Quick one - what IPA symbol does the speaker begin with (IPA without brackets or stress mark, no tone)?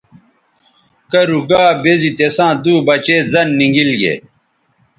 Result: k